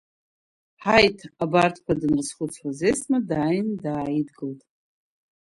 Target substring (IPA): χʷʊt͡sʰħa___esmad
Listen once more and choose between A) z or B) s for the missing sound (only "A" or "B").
A